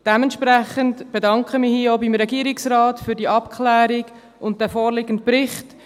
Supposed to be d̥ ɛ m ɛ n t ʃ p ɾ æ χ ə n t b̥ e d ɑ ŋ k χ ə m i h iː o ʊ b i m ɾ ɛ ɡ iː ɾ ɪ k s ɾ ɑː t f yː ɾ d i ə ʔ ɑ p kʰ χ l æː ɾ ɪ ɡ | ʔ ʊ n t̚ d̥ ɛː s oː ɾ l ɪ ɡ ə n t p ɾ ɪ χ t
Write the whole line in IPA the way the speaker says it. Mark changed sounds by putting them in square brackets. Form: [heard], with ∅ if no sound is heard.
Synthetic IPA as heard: d̥ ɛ m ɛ n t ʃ p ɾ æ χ ə n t b̥ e d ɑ ŋ k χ ə m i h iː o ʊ b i m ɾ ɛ ɡ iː ɾ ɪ k s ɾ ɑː t f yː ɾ d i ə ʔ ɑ p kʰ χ l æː ɾ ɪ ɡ | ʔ ʊ n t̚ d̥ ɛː [f] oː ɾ l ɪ ɡ ə n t p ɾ ɪ χ t